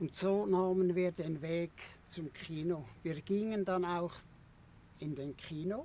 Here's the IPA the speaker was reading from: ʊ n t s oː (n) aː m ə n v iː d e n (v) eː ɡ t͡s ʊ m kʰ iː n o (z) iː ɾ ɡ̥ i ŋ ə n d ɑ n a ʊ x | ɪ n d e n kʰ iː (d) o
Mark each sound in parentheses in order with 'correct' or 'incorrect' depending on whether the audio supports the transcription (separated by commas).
correct, correct, incorrect, incorrect